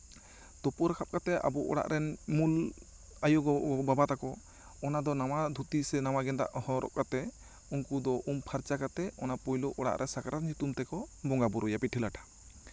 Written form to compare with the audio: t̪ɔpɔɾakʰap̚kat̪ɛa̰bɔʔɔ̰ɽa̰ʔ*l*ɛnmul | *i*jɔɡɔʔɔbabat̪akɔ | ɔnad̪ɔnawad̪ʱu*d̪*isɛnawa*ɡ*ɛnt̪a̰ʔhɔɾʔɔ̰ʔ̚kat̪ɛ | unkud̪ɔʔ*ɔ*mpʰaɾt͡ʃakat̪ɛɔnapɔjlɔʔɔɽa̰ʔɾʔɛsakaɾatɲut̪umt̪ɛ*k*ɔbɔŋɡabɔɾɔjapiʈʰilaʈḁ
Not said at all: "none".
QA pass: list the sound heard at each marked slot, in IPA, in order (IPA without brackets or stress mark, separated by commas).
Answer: ɾ, a, t̪, ɡ, u, k